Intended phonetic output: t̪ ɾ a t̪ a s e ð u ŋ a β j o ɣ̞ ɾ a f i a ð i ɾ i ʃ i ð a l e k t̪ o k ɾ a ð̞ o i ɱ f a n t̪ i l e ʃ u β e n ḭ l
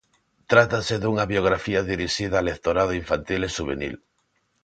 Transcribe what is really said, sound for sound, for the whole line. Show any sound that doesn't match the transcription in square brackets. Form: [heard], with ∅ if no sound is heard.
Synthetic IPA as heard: t̪ ɾ a t̪ a s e ð u ŋ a β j o ɣ̞ ɾ a f i a ð i ɾ i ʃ i ð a l e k t̪ o [∅] ɾ a ð̞ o i ɱ f a n t̪ i l e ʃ u β e n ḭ l